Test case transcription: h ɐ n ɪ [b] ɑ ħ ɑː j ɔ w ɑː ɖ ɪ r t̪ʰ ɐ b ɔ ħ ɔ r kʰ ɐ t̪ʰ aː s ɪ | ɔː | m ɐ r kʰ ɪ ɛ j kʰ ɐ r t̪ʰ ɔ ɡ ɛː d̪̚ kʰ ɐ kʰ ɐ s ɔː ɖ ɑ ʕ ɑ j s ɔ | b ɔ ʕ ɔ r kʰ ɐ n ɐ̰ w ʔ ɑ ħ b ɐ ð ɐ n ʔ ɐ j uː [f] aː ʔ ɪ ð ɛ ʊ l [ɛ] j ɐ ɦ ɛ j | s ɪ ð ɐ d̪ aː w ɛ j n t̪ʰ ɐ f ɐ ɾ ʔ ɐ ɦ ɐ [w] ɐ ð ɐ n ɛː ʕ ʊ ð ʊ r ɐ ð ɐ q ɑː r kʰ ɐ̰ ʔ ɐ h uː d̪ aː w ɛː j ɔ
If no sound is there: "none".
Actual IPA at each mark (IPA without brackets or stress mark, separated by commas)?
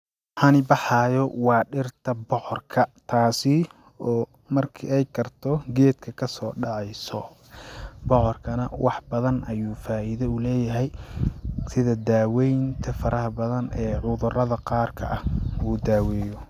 b, f, ɛː, b